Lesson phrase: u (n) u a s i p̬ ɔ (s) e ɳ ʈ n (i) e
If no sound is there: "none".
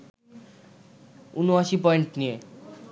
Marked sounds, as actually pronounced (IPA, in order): n, none, i

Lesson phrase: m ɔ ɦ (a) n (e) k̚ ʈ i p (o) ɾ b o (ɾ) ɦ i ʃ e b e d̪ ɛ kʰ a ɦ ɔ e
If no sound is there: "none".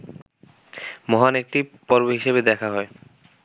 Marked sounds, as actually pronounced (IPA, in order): a, e, ɔ, none

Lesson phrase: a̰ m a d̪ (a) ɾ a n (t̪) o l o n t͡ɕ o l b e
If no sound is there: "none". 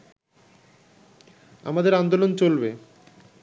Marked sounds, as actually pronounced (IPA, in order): e, d̪

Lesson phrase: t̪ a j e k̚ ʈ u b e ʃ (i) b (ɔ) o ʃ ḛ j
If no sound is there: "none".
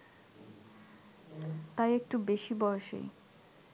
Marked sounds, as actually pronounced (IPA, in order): i, ɔ

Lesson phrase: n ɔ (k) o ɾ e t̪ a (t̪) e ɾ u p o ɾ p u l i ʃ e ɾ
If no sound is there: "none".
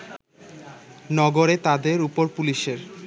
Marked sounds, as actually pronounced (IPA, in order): ɡ, d̪

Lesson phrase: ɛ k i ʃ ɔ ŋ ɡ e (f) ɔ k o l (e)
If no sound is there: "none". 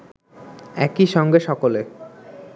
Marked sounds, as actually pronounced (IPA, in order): ʃ, e

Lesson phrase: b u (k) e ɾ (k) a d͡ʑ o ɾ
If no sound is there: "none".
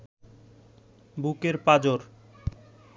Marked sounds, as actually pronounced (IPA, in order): k, p

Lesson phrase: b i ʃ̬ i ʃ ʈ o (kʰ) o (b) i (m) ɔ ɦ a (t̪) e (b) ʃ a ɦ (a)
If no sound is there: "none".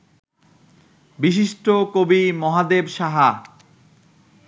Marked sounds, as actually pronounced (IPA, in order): k, b, m, d̪, b, a

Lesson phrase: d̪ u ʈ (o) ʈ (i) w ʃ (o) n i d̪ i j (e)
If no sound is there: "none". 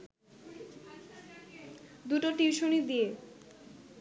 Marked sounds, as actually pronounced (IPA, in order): o, i, o, e

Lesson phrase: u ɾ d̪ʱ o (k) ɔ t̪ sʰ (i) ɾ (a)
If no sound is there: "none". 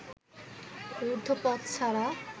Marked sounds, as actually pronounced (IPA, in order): p, a, a

